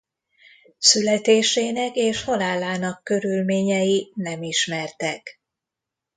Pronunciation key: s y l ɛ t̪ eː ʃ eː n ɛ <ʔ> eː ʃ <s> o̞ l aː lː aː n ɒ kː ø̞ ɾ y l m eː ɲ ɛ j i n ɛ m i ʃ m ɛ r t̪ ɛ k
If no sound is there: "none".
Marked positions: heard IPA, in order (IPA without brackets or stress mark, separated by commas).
k, h